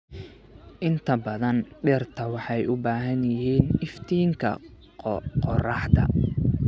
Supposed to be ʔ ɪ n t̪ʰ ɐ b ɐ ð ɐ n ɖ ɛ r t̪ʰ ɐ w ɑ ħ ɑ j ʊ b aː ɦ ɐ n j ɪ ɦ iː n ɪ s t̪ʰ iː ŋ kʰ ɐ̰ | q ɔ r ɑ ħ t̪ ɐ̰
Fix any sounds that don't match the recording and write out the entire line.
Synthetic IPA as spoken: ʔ ɪ n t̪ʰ ɐ b ɐ ð ɐ n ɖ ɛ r t̪ʰ ɐ w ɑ ħ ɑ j ʊ b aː ɦ ɐ n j ɪ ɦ iː n ɪ f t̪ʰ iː ŋ kʰ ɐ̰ | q ɔ r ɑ ħ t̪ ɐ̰

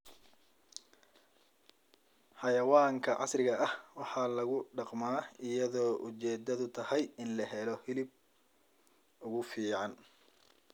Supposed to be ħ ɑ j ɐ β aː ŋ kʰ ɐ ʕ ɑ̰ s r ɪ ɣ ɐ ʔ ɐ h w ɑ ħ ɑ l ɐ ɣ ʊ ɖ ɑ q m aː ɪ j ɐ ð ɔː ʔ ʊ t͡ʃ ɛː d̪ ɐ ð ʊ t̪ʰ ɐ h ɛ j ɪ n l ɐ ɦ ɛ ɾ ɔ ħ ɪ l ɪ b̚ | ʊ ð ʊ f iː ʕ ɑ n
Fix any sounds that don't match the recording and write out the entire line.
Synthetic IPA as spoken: ħ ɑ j ɐ w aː ŋ kʰ ɐ ʕ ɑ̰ s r ɪ ɣ ɐ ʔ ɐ h w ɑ ħ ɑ l ɐ ɣ ʊ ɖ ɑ q m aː ɪ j ɐ ð ɔː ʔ ʊ t͡ʃ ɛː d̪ ɐ ð ʊ t̪ʰ ɐ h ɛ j ɪ n l ɐ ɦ ɛ l ɔ h ɪ l ɪ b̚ | ʊ ɣ ʊ f iː ʕ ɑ n

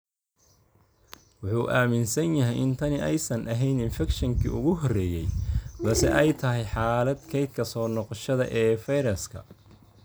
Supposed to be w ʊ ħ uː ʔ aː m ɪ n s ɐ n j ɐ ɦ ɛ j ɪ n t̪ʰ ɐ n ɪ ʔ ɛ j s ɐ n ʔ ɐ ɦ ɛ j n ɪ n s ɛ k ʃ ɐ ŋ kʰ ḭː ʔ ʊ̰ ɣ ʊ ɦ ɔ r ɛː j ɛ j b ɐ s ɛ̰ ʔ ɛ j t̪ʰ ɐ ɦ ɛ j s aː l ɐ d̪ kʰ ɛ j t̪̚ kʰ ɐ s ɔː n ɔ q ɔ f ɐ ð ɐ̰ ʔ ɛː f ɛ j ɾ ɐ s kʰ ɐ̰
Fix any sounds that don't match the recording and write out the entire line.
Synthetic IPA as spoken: w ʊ ħ uː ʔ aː m ɪ n s ɐ n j ɐ ɦ ɛ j ɪ n t̪ʰ ɐ n ɪ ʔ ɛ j s ɐ n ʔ ɐ ɦ ɛ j n ɪ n f ɛ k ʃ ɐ ŋ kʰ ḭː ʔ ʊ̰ ɣ ʊ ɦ ɔ r ɛː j ɛ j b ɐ s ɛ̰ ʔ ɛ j t̪ʰ ɐ ɦ ɛ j ħ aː l ɐ d̪ kʰ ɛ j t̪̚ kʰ ɐ s ɔː n ɔ q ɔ ʃ ɐ ð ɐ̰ ʔ ɛː f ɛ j ɾ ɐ s kʰ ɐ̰

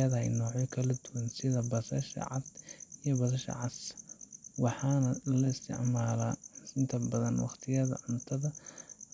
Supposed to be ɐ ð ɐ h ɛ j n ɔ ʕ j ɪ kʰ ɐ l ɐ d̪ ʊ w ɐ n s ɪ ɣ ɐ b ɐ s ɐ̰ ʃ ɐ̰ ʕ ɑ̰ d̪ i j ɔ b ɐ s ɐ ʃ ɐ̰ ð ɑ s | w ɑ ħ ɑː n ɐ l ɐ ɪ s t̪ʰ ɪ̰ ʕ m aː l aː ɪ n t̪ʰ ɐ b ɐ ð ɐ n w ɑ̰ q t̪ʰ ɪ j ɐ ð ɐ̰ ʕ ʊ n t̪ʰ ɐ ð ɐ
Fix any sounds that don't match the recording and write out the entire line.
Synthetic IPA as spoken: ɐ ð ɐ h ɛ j n ɔː ʕ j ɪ kʰ ɐ l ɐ d̪ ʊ w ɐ n s ɪ ð ɐ b ɐ s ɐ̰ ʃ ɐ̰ ʕ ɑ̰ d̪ i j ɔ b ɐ s ɐ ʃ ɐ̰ ʕ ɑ s | w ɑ ħ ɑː n ɐ l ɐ ɪ s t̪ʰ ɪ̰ ʕ m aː l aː ɪ n t̪ʰ ɐ b ɐ ð ɐ n w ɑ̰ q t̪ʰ ɪ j ɐ ð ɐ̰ ʕ ʊ n t̪ʰ ɐ ð ɐ

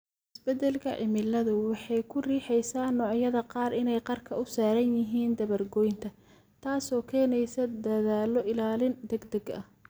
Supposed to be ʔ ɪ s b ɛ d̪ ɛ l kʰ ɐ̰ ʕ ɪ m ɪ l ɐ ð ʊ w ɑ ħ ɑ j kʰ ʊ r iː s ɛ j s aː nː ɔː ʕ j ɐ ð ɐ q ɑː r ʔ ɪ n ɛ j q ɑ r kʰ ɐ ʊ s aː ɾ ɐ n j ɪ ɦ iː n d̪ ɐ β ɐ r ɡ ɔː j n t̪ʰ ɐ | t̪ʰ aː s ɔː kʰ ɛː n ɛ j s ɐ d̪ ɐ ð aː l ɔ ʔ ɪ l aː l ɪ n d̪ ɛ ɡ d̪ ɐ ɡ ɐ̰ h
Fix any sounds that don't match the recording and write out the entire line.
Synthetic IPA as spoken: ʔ ɪ s b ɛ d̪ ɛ l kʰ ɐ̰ ʕ ɪ m ɪ l ɐ ð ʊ w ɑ ħ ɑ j kʰ ʊ r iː ħ ɛ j s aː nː ɔː ʕ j ɐ ð ɐ q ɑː r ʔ ɪ n ɛ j q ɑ r kʰ ɐ ʊ s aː ɾ ɐ n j ɪ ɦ iː n d̪ ɐ β ɐ r ɡ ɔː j n t̪ʰ ɐ | t̪ʰ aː s ɔː kʰ ɛː n ɛ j s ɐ d̪ ɐ ð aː l ɔ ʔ ɪ l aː l ɪ n d̪ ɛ ɡ d̪ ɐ ɡ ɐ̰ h

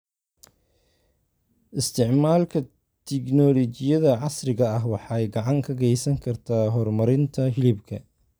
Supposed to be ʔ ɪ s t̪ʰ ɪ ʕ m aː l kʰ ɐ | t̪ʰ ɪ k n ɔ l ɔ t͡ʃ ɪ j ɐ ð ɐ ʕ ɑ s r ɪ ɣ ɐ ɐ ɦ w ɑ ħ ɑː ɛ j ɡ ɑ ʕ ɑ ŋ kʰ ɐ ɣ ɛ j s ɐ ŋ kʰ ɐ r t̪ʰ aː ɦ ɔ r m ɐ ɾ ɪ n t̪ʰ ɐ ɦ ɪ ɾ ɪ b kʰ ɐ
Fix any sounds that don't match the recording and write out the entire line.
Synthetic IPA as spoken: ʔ ɪ s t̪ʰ ɪ ʕ m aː l kʰ ɐ | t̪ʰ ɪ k n ɔ l ɔ t͡ʃ ɪ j ɐ ð ɐ ʕ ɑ s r ɪ ɣ ɐ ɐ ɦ w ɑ ħ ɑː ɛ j ɡ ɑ ʕ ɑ ŋ kʰ ɐ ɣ ɛ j s ɐ ŋ kʰ ɐ r t̪ʰ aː ɦ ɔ r m ɐ ɾ ɪ n t̪ʰ ɐ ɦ ɪ l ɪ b kʰ ɐ

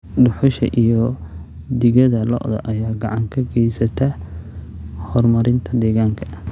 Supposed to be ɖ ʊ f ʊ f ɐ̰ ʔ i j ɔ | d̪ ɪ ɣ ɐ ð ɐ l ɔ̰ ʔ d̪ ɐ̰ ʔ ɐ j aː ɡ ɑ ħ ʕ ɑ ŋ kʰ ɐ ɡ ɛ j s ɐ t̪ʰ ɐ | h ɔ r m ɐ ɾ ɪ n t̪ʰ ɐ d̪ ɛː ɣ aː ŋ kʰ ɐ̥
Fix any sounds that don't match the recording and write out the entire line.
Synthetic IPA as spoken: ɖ ʊ ħ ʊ ʃ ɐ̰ ʔ i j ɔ | d̪ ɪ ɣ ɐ ð ɐ l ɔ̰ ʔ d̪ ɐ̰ ʔ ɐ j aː ɡ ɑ ʕ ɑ ŋ kʰ ɐ ɡ ɛ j s ɐ t̪ʰ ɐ | h ɔ r m ɐ ɾ ɪ n t̪ʰ ɐ d̪ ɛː ɣ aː ŋ kʰ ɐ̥

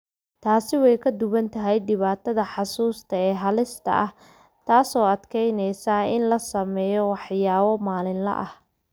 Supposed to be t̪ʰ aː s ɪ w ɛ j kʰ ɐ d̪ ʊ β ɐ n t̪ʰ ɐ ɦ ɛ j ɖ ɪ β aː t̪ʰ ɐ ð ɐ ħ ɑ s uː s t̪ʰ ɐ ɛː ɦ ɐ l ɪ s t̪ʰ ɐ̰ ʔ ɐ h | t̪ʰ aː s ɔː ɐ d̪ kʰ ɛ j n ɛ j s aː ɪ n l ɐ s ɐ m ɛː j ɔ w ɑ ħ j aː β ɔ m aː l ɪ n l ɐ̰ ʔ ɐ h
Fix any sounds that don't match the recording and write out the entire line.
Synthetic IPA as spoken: t̪ʰ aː s ɪ w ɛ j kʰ ɐ d̪ ʊ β ɐ n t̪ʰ ɐ ɦ ɛ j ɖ ɪ β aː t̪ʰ ɐ ð ɐ ħ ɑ s uː s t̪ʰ ɐ ɛː ɦ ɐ l ɪ s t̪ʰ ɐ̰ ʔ ɐ h | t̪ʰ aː s ɔː ɐ d̪ kʰ ɛ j n ɛ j s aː ɪ n l ɐ s ɐ m ɛː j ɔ w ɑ ħ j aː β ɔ m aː l ɪ n l ɐ̰ ʔ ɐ h

